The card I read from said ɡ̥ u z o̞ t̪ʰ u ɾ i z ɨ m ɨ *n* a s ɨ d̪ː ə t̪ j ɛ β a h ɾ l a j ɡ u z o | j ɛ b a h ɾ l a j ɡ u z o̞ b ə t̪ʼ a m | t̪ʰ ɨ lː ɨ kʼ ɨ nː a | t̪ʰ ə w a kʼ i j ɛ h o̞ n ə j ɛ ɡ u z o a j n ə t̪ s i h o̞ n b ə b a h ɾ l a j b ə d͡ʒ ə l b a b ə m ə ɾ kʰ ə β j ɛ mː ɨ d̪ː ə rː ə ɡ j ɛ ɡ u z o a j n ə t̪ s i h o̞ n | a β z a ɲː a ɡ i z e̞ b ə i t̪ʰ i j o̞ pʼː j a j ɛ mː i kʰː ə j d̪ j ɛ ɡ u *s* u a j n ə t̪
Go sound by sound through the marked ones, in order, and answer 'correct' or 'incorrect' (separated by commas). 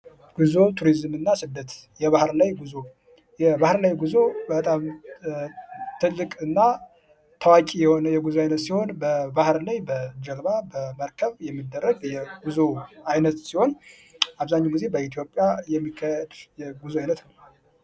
incorrect, incorrect